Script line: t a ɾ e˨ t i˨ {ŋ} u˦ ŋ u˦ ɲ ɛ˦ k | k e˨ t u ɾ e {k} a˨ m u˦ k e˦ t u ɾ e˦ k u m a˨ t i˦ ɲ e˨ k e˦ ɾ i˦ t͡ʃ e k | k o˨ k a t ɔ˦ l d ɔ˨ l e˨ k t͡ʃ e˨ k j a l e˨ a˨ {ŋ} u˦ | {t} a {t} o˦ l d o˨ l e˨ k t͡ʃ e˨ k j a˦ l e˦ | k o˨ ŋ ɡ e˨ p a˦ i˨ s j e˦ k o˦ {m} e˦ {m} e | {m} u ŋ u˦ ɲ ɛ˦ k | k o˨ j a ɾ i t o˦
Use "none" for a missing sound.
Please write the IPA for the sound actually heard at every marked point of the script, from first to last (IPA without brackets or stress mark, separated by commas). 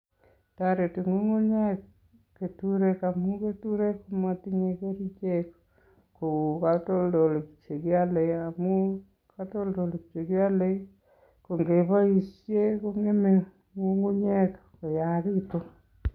ŋ, k, m, k, t, ŋ, m, ŋ